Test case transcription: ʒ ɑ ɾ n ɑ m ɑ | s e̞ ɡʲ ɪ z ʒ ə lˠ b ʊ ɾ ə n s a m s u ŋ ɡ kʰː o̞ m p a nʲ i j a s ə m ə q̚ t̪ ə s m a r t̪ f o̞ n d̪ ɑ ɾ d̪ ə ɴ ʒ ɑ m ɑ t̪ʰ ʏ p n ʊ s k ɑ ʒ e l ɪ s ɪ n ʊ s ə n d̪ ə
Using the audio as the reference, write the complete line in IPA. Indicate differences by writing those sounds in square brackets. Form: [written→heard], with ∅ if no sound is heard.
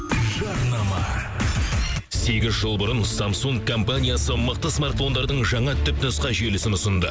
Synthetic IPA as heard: ʒ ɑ ɾ n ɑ m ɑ | s e̞ ɡʲ ɪ z ʒ ə lˠ b ʊ ɾ ə n s a m s u ŋ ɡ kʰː o̞ m p a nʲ i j a s ə m ə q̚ t̪ ə s m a r t̪ f o̞ n d̪ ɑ ɾ d̪ ə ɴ ʒ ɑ [m→ɴ] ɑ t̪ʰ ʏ p n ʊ s [k→q] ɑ ʒ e l ɪ s ɪ n ʊ s ə n d̪ ə